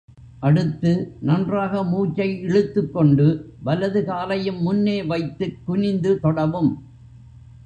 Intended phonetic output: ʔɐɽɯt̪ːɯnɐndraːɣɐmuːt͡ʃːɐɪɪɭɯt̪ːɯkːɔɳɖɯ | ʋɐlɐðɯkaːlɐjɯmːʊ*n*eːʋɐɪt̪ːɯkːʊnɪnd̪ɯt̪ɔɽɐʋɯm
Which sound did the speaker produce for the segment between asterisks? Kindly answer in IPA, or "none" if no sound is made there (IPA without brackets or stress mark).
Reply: nː